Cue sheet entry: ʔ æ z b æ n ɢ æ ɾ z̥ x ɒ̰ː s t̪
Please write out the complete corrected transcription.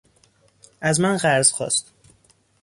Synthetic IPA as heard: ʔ æ z m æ n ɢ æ ɾ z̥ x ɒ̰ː s t̪

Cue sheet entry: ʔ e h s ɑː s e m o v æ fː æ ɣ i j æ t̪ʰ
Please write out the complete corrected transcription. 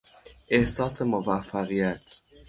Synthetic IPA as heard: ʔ e h s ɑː s e m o v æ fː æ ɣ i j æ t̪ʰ

